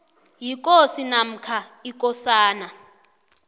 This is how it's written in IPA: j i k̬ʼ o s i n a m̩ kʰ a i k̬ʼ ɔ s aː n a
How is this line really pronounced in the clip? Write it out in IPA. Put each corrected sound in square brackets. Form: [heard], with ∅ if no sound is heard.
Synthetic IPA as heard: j i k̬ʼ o s i n a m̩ kʰ a i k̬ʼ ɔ s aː n a